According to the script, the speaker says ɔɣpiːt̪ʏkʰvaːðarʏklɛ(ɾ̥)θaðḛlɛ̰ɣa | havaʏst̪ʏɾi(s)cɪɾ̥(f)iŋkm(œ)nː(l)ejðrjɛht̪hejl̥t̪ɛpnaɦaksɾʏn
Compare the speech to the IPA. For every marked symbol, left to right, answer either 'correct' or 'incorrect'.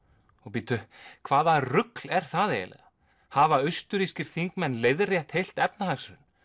correct, correct, incorrect: θ, incorrect: ɛ, correct

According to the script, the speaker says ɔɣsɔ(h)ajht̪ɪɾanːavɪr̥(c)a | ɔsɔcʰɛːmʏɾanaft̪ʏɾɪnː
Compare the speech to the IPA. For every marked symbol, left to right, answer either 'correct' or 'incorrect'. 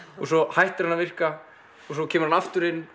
correct, incorrect: k

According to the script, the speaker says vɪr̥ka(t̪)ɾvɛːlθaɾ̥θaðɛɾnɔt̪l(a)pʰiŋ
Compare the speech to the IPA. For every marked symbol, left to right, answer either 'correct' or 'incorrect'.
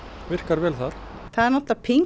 incorrect: none, correct

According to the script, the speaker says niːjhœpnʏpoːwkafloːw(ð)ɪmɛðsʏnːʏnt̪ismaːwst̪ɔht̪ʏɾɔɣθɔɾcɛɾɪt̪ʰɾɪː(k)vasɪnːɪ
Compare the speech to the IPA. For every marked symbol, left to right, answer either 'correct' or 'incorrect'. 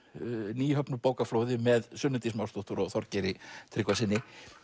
correct, correct

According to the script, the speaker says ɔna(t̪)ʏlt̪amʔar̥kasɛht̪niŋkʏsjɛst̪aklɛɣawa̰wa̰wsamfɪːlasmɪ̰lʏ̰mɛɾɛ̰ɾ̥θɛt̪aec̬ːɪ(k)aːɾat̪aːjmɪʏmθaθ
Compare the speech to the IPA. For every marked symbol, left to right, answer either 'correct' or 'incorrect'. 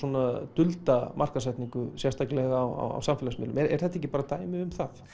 correct, incorrect: p

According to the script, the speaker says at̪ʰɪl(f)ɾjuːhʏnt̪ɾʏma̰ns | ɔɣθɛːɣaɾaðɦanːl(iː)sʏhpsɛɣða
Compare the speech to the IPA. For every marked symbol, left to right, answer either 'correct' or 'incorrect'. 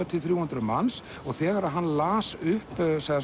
incorrect: θ, incorrect: aː

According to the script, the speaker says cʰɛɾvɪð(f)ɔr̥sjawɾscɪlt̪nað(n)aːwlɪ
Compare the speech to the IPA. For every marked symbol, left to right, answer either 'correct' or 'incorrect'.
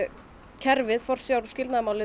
correct, incorrect: m

